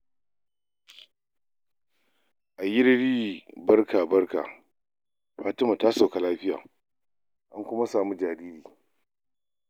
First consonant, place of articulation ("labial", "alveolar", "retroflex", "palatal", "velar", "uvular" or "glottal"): glottal